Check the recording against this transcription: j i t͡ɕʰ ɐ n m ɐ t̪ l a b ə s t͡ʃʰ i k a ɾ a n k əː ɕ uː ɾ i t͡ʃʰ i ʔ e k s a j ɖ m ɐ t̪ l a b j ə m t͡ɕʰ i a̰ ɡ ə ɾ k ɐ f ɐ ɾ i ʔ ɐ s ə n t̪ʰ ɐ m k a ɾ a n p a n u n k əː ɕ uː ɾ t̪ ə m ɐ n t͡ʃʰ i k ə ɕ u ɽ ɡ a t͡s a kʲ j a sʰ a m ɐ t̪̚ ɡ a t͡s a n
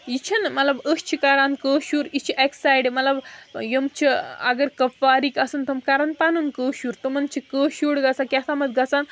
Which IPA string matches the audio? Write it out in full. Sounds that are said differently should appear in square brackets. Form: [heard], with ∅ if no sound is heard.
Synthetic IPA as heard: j i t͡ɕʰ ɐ n m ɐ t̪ l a b ə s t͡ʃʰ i k a ɾ a n k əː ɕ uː ɾ i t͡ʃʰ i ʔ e k s a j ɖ m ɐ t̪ l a b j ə m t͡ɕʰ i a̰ ɡ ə ɾ k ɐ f [a] ɾ i [k] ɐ s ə n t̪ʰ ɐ m k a ɾ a n p a n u n k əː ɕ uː ɾ t̪ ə m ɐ n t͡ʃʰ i k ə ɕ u ɽ ɡ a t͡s a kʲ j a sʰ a m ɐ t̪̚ ɡ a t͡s a n